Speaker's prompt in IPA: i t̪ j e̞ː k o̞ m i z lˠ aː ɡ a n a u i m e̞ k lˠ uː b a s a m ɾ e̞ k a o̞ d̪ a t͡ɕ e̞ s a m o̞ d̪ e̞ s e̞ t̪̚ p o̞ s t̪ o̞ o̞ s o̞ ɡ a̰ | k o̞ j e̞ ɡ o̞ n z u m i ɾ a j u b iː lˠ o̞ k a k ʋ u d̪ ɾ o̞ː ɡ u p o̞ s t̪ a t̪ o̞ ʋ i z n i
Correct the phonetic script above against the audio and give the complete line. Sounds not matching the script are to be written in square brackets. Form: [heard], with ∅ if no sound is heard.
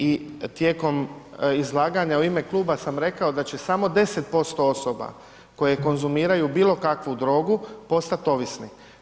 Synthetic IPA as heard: i t̪ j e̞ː k o̞ m i z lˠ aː ɡ a [ɲ] a u i m e̞ k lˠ uː b a s a m ɾ e̞ k a o̞ d̪ a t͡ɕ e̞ s a m o̞ d̪ e̞ s e̞ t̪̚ p o̞ s t̪ o̞ o̞ s o̞ [b] a̰ | k o̞ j e̞ [k] o̞ n z u m [iː] ɾ a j u b iː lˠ o̞ k a k ʋ u d̪ ɾ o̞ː ɡ u p o̞ s t̪ a t̪ o̞ ʋ i [s] n i